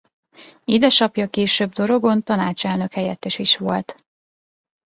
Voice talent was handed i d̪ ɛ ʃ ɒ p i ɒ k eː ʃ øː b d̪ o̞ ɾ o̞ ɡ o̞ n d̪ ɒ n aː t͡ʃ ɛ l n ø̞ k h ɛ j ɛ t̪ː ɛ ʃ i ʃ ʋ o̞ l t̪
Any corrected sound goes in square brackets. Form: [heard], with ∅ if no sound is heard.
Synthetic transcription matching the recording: i d̪ ɛ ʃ ɒ p [j] ɒ k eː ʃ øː b d̪ o̞ ɾ o̞ ɡ o̞ n [t̪] ɒ n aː t͡ʃ ɛ l n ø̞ k h ɛ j ɛ t̪ː ɛ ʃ i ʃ ʋ o̞ l t̪